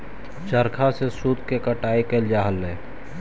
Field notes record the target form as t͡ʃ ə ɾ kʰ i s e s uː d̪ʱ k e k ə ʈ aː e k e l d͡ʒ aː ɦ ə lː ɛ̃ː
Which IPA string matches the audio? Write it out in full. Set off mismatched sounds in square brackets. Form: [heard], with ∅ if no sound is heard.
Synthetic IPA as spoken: t͡ʃ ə ɾ kʰ [a] s e s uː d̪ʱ k e k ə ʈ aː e k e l d͡ʒ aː ɦ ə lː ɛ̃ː